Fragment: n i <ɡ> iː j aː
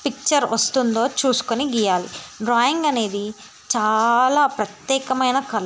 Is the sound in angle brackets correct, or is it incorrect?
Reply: correct